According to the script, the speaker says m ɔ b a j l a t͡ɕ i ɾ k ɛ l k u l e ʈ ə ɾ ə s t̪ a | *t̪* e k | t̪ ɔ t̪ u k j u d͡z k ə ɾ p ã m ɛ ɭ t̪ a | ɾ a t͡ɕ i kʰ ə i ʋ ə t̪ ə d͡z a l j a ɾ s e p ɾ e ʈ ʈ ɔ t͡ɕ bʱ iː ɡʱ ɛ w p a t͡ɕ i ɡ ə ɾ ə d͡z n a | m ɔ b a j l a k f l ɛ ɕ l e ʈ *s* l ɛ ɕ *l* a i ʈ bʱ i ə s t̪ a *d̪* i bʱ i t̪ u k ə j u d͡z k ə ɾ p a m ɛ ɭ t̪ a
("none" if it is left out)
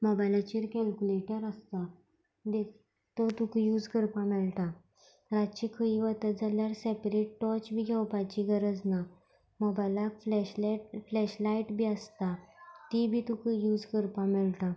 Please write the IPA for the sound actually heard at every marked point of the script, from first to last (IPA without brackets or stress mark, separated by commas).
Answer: d̪, f, l, t̪